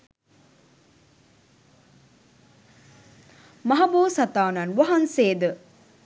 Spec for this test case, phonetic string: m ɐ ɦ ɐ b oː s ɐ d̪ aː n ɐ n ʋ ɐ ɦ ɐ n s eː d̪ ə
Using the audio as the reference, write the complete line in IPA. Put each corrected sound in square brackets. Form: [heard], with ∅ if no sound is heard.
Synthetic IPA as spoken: m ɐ ɦ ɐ b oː s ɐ [t̪] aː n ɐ n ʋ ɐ ɦ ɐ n s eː d̪ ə